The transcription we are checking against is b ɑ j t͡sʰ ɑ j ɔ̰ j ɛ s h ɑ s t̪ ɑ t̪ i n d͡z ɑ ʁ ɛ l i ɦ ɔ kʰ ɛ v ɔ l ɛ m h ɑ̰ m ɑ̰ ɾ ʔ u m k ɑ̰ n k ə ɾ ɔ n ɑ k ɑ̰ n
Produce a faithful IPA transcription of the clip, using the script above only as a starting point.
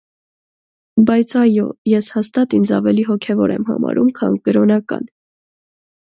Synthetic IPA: b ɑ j t͡sʰ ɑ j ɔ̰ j ɛ s h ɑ s t̪ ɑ t̪ i n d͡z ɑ v ɛ l i ɦ ɔ kʰ ɛ v ɔ ɾ ɛ m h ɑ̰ m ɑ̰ ɾ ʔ u m kʰ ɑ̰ n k ə ɾ ɔ n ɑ k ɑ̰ n